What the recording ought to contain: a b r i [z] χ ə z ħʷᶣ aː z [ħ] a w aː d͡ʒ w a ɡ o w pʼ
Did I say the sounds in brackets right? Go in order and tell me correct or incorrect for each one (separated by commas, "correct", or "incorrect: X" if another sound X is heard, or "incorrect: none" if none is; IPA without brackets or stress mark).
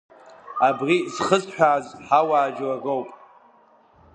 correct, correct